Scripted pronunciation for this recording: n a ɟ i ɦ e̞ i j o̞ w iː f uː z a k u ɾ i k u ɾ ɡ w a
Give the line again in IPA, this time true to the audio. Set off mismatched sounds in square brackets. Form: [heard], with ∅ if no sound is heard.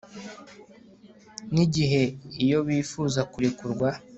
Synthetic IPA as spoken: n [i] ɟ i ɦ e̞ i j o̞ [β] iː f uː z a k u ɾ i k u ɾ ɡ w a